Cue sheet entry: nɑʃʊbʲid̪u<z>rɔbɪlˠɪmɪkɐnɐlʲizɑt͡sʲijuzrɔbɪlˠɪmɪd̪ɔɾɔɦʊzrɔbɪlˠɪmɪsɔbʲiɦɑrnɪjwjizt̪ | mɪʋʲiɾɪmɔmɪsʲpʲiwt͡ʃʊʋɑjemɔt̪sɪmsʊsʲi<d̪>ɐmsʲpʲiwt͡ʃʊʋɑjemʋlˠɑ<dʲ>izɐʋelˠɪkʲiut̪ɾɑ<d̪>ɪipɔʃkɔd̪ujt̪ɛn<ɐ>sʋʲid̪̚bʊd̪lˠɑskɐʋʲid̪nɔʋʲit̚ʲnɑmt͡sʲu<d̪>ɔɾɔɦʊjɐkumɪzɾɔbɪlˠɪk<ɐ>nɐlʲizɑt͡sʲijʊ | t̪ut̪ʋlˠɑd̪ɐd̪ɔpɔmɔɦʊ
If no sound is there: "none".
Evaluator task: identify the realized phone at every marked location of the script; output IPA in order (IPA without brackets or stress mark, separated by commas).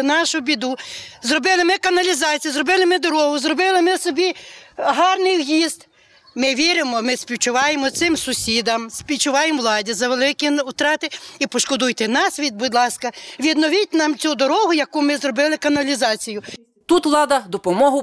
z, d̪, dʲ, t̪, ɑ, d̪, ɐ